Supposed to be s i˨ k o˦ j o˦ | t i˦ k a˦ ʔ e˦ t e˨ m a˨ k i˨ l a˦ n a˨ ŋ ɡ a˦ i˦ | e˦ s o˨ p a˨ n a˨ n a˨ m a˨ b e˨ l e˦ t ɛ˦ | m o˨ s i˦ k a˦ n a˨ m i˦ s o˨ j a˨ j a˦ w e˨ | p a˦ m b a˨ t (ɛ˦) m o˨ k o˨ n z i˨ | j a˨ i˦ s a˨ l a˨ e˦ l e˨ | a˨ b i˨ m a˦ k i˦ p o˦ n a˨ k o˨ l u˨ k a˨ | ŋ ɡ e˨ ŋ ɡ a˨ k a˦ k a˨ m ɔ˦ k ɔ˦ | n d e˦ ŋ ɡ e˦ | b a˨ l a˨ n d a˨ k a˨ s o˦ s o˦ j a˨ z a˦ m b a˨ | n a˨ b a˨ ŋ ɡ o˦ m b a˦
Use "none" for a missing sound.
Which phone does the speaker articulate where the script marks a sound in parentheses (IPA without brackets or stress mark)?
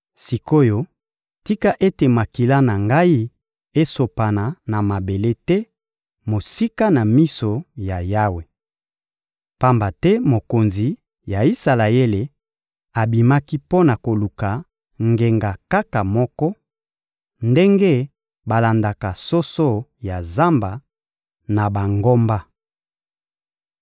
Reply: ɛ˦